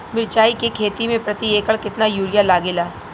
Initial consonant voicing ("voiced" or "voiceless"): voiced